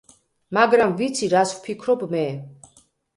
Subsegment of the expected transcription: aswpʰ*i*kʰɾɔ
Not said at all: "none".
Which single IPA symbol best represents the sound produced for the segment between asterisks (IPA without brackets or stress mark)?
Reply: i